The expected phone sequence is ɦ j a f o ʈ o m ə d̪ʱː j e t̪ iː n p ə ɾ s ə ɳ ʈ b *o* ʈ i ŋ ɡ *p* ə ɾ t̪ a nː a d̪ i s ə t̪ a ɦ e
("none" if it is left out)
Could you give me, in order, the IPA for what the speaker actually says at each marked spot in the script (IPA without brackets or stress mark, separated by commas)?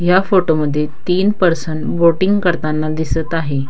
o, k